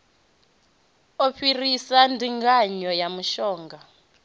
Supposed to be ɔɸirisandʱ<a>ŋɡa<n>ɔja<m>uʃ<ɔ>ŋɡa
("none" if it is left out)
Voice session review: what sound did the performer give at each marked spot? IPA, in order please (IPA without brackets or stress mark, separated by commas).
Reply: i, ɲ, m, ɔː